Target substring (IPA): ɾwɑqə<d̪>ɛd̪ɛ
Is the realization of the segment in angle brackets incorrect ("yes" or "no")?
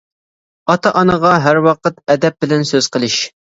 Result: yes